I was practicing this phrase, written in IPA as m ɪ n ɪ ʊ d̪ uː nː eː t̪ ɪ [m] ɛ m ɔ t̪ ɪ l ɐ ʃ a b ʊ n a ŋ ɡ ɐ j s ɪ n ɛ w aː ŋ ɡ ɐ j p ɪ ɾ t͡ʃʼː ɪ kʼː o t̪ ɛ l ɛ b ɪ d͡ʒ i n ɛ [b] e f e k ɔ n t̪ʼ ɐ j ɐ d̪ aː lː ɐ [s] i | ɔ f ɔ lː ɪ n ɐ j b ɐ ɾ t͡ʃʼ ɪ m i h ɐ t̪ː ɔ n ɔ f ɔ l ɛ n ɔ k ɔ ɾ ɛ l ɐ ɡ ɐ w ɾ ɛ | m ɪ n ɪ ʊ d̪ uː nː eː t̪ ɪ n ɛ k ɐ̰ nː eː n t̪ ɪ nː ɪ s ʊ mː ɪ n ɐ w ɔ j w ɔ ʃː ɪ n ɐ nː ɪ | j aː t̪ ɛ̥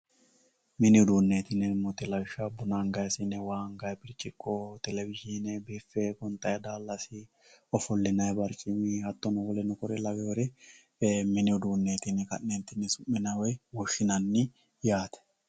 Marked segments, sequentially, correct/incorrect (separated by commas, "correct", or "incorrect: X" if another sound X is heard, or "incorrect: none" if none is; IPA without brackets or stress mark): incorrect: n, correct, correct